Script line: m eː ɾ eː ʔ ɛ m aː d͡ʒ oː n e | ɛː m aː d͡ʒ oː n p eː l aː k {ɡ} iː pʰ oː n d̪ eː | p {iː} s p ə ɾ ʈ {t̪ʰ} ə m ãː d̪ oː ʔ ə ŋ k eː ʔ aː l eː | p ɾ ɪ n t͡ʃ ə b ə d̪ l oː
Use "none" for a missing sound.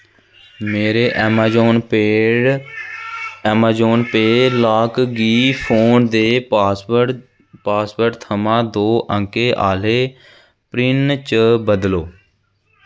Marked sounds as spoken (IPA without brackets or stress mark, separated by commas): ɡ, aː, t̪ʰ